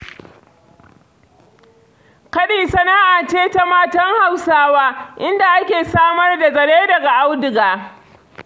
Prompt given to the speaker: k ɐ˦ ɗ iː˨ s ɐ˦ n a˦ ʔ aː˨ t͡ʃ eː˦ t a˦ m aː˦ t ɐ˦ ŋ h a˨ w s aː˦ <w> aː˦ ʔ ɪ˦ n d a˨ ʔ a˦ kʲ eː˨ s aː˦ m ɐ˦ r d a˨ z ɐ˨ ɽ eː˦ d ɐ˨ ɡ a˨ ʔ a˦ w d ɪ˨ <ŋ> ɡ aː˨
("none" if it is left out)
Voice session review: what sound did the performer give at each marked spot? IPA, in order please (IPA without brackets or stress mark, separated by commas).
w, none